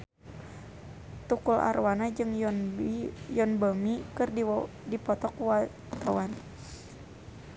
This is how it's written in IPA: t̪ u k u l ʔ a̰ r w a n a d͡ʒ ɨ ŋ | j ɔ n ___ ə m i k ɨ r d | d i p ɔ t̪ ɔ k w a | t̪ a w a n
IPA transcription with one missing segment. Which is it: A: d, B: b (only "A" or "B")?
B